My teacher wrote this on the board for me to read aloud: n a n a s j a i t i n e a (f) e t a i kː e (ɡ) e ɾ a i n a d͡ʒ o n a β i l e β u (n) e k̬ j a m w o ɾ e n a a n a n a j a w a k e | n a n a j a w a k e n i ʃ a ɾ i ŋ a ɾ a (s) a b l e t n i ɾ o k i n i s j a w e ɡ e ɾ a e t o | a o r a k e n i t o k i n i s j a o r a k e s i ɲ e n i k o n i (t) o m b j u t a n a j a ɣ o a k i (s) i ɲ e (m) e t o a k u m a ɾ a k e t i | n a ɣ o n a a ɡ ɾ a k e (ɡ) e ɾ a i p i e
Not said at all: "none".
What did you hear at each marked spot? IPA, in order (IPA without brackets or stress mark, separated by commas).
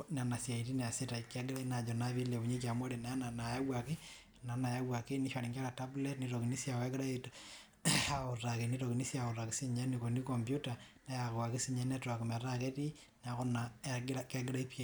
s, ɡ, ɲ, t, k, s, n, ɡ